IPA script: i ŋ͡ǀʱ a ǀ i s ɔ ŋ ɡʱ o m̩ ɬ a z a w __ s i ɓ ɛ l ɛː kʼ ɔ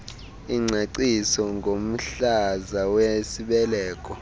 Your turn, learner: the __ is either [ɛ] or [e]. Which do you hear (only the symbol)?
e